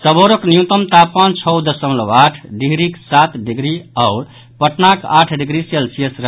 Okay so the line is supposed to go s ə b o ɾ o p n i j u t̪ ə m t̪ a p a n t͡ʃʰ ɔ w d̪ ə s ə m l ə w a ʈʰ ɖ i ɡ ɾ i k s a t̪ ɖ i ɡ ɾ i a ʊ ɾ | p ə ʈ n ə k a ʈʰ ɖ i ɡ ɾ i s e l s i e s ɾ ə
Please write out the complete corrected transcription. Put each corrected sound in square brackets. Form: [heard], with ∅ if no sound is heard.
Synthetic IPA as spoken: s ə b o ɾ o [k] n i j u t̪ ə m t̪ a p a n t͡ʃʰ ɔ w d̪ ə s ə m l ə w a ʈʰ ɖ i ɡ ɾ i k s a t̪ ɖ i ɡ ɾ i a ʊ ɾ | p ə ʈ n [a] k a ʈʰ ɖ i ɡ ɾ i s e l s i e s ɾ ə